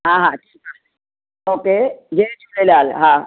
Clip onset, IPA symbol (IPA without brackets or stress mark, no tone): ɦ